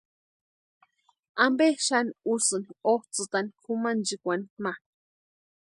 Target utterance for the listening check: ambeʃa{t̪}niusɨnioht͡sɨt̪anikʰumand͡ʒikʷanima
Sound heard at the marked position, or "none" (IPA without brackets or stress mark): none